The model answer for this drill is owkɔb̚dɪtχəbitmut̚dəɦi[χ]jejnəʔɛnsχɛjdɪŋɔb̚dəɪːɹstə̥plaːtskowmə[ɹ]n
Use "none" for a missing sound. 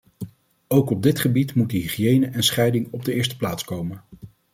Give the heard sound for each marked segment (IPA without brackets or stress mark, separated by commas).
χ, none